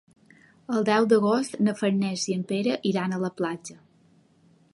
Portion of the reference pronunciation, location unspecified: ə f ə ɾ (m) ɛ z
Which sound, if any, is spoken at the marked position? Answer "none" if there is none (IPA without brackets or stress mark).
n